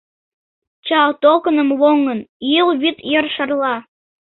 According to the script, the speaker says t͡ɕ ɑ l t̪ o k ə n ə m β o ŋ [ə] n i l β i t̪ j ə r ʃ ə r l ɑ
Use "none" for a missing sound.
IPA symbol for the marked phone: ə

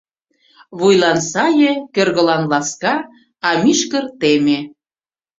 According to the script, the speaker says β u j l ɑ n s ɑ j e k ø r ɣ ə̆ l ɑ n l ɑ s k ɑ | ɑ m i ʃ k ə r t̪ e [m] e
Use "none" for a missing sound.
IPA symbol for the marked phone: m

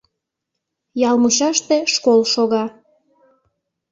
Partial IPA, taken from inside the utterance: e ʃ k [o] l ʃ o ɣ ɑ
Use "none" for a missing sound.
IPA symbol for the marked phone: o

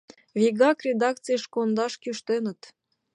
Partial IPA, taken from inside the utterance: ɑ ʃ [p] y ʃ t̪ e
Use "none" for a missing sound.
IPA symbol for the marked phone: k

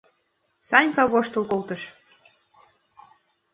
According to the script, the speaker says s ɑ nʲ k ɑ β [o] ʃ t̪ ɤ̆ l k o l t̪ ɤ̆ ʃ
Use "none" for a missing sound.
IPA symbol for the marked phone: o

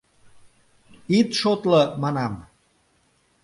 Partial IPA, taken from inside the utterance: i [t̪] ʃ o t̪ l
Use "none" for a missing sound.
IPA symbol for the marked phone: t̪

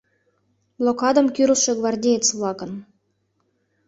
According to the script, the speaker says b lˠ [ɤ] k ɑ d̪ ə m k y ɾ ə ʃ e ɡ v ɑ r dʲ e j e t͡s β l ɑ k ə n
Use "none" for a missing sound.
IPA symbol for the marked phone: o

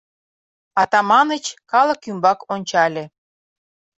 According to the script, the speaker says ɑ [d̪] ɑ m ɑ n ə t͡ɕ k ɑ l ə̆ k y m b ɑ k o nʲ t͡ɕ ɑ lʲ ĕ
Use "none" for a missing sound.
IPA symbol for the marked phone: t̪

